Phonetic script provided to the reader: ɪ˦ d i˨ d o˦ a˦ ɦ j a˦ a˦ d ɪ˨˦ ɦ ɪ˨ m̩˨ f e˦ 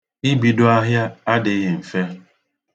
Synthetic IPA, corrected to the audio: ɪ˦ b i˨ d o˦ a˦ ɦ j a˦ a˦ d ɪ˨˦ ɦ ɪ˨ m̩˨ f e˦